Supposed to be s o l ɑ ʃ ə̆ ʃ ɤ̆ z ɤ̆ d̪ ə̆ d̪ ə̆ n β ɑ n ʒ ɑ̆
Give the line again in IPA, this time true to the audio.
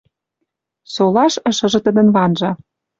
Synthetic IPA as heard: s o l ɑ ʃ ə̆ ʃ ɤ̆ ʒ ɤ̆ t̪ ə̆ d̪ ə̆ n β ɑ n ʒ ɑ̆